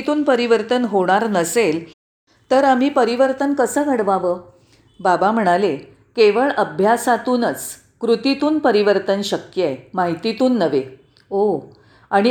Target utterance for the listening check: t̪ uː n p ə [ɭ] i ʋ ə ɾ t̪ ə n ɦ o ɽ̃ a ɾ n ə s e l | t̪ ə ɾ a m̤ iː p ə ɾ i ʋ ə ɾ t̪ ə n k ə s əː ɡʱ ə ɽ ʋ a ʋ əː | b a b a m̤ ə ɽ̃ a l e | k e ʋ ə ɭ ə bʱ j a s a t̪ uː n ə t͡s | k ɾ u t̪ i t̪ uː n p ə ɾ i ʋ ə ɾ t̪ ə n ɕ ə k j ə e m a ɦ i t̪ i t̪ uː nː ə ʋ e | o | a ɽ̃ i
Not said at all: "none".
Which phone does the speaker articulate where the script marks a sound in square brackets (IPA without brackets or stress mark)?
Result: ɾ